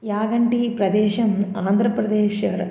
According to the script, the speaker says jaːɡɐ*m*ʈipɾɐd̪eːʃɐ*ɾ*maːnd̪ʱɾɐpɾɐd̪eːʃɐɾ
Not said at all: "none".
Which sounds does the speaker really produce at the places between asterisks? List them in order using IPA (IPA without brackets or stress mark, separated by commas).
ɳ, none